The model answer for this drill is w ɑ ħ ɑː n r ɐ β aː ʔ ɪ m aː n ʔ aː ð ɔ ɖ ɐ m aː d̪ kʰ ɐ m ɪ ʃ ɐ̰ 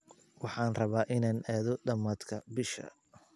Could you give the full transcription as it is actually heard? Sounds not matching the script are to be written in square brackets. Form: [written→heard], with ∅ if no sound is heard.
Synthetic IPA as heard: w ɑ ħ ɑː n r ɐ β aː ʔ ɪ [m→n] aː n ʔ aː ð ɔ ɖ ɐ m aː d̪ kʰ ɐ [m→b] ɪ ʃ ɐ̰